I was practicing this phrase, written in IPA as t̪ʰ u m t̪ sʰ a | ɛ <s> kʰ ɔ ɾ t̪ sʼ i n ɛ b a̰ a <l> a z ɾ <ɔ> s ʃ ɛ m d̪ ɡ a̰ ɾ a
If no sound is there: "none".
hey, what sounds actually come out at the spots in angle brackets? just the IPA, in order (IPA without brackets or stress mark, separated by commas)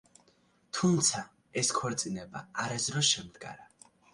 s, ɾ, ɔ